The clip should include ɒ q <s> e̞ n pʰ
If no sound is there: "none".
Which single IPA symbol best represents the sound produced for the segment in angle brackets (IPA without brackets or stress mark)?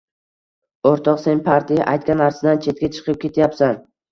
s